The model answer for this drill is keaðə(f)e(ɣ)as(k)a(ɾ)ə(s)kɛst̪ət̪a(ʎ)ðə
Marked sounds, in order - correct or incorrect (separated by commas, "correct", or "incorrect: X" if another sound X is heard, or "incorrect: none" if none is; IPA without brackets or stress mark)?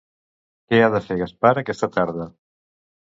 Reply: correct, correct, incorrect: p, correct, incorrect: none, incorrect: ɾ